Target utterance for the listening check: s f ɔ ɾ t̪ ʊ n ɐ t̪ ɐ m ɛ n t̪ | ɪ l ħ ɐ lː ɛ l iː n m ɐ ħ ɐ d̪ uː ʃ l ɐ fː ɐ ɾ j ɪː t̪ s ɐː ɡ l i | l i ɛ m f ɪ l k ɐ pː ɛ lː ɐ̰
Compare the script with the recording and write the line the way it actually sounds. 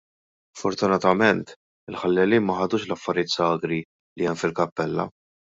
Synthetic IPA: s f ɔ ɾ t̪ ʊ n ɐ t̪ ɐ m ɛ n t̪ | ɪ l ħ ɐ lː ɛ l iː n m ɐ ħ ɐ d̪ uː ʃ l ɐ fː ɐ ɾ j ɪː t̪ s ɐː ɡ ɾ i | l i ɛ m f ɪ l k ɐ pː ɛ lː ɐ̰